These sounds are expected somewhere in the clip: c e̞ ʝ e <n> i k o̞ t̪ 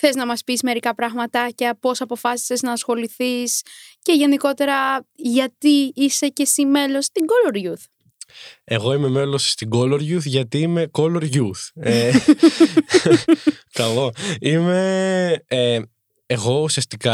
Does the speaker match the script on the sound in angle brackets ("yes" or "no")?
yes